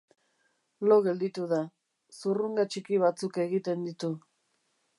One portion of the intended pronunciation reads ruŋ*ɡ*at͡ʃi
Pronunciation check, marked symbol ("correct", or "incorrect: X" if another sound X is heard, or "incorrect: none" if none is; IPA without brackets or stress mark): correct